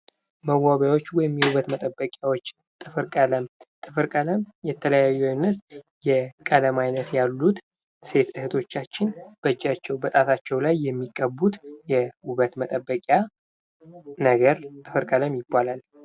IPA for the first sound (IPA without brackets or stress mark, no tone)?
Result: m